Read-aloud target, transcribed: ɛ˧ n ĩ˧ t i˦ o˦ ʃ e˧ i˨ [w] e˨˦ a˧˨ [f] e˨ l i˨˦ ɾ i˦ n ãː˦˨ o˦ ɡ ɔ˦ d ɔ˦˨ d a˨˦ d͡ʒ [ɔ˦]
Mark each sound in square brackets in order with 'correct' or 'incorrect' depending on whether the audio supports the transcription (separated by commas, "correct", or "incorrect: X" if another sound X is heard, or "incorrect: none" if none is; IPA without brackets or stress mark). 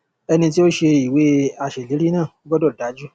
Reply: correct, incorrect: ʃ, incorrect: u˦